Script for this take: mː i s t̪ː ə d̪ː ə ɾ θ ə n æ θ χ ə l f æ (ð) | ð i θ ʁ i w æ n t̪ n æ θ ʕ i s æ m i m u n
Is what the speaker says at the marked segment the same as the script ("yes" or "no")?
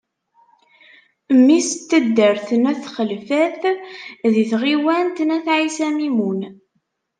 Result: no